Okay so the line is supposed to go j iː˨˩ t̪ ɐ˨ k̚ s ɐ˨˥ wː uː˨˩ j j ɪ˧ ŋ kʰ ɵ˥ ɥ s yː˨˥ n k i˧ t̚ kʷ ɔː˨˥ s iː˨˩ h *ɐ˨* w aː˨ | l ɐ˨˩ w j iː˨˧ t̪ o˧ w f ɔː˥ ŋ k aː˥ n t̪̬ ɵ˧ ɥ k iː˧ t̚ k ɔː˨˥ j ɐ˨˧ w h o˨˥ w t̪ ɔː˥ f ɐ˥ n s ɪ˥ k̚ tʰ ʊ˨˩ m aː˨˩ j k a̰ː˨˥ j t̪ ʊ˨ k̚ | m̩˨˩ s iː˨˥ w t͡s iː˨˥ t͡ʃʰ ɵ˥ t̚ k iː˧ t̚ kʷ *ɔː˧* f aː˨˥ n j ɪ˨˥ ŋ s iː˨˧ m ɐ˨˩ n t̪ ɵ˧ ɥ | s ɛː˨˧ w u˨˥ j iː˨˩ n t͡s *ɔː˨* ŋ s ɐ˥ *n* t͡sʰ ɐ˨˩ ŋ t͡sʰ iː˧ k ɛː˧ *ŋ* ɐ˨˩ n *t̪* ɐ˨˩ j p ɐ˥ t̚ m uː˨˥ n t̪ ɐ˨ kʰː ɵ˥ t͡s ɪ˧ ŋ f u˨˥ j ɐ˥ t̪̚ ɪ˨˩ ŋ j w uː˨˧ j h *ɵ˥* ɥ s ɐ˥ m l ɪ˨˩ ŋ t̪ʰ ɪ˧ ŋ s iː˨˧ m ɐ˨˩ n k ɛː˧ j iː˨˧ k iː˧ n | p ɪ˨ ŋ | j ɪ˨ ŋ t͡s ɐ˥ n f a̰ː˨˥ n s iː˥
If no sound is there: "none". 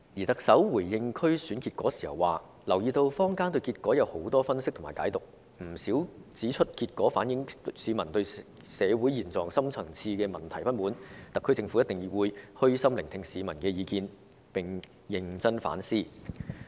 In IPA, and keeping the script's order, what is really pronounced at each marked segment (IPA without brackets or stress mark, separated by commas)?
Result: ɐ˨, ɔː˨˥, ɔː˨, m, m, t̪ʰ, ɵ˥